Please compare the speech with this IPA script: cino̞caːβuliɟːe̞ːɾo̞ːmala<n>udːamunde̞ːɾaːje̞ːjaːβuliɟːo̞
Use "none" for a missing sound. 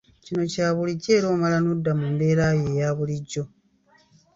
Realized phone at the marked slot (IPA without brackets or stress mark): n